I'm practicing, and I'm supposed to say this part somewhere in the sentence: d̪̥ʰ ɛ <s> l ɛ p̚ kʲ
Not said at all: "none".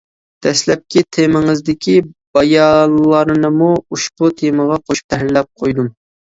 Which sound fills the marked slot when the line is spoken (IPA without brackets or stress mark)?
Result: s